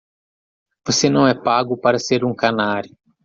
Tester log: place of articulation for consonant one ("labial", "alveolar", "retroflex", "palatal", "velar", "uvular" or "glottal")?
labial